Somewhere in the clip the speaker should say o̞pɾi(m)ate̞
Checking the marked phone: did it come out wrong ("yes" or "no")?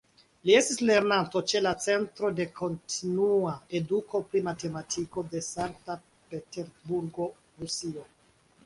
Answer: no